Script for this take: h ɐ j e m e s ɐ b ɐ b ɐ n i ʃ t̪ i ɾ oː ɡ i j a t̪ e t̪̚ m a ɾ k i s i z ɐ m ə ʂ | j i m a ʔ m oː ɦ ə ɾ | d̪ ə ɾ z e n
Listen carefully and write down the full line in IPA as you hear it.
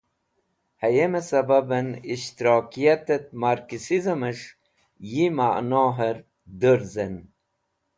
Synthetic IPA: h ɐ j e m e s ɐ b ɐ b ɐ n i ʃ t̪ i ɾ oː k i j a t̪ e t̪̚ m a ɾ k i s i z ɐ m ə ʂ | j i m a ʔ n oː ɦ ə ɾ | d̪ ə ɾ z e n